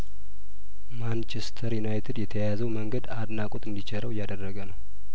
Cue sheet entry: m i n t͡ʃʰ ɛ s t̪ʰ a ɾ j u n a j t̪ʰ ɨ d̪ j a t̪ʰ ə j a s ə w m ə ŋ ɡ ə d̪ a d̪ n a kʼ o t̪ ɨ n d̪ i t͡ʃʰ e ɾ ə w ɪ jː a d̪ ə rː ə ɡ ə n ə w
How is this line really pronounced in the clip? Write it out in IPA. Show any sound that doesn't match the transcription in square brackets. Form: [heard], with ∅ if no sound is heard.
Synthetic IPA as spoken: m [a] n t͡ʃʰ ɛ s t̪ʰ [ə] ɾ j u n a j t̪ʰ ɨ d̪ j [ɛ] t̪ʰ ə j a [z] ə w m ə ŋ ɡ ə d̪ a d̪ n a kʼ o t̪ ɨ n d̪ i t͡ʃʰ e ɾ ə w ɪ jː a d̪ ə rː ə ɡ ə n ə w